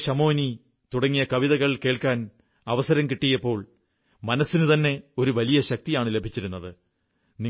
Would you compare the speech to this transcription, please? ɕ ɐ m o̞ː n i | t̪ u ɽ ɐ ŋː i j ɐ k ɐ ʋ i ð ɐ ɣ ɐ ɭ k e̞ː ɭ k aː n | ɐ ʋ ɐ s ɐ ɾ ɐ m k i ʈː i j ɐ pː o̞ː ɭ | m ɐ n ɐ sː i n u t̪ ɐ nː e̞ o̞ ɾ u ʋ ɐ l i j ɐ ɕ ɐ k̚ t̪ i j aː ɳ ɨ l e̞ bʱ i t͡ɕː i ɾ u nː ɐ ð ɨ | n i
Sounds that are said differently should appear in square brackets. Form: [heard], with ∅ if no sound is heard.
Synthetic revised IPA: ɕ ɐ m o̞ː n i | t̪ u ɽ ɐ ŋː i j ɐ k ɐ ʋ i ð ɐ ɣ ɐ ɭ k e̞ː ɭ k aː n | ɐ ʋ ɐ s ɐ ɾ ɐ m k i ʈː i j ɐ pː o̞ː ɭ | m ɐ n ɐ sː i n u t̪ ɐ nː e̞ o̞ ɾ u ʋ ɐ l i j ɐ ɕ ɐ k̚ t̪ i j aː ɳ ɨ l e̞ bʱ i t͡ɕː i ɾ u nː ɐ ð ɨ | n i